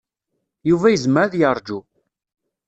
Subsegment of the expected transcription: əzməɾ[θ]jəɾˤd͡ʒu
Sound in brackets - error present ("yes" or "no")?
yes